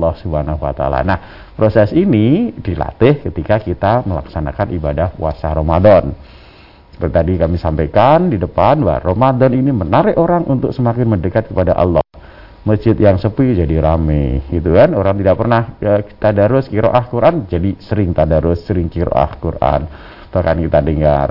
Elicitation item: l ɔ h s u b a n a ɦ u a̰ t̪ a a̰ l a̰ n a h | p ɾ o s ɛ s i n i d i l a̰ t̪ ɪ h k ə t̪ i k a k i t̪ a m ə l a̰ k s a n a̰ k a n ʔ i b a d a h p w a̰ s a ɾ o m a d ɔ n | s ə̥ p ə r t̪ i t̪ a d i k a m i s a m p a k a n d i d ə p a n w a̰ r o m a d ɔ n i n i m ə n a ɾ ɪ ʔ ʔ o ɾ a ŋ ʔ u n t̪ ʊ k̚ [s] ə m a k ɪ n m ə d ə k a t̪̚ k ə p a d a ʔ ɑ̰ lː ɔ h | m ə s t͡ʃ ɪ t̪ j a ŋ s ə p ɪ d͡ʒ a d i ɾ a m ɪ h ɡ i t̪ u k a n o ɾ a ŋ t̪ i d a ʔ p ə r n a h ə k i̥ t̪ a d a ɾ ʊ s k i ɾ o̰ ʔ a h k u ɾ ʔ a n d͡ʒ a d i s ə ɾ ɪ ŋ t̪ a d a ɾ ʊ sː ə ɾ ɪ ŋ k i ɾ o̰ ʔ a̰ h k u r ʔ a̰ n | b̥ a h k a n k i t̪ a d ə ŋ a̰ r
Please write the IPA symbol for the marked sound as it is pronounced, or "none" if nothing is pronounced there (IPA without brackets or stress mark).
s